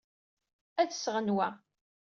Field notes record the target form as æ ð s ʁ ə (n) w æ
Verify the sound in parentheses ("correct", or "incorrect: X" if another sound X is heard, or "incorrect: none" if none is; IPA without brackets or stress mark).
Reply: correct